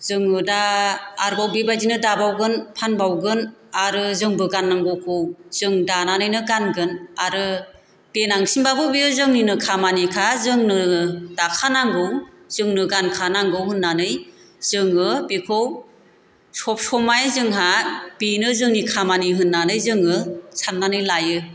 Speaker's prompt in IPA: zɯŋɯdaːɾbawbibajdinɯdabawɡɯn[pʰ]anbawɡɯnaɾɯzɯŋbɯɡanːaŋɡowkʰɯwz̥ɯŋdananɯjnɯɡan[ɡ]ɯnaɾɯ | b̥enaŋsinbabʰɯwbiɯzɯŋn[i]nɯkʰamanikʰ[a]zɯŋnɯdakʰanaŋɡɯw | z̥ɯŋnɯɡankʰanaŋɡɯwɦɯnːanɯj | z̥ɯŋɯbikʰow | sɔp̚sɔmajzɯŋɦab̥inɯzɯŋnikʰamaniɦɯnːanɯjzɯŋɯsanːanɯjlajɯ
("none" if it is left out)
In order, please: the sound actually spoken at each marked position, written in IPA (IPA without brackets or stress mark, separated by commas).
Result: pʰ, ɡ, i, a